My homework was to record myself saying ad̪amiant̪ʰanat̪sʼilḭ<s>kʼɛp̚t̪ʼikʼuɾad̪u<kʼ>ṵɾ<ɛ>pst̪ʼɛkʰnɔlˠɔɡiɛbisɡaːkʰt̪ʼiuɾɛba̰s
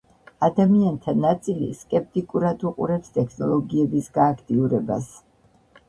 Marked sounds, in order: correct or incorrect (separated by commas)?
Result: correct, incorrect, correct